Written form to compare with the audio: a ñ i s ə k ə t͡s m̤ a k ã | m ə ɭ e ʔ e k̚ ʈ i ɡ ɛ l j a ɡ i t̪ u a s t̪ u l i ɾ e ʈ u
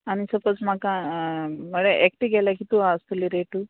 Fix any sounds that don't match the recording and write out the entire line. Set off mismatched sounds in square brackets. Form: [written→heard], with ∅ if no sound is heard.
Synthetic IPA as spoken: a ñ i s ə [k→p] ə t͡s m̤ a k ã | m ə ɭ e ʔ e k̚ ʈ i ɡ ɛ l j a [ɡ→k] i t̪ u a s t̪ u l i ɾ e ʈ u